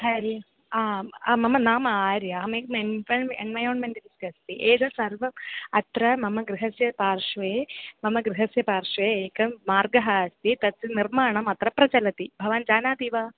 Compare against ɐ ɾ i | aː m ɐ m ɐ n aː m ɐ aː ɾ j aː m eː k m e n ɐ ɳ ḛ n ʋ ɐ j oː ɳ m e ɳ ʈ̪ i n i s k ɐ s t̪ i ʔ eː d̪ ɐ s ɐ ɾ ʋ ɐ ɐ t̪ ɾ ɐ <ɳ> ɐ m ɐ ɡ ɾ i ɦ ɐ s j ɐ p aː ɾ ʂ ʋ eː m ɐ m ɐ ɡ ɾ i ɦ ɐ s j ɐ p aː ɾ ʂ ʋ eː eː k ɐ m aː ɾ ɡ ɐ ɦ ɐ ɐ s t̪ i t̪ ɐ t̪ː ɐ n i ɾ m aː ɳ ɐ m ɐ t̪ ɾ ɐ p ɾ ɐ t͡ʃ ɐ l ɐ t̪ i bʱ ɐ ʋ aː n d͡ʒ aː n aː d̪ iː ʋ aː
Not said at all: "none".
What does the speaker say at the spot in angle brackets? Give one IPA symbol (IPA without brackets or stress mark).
m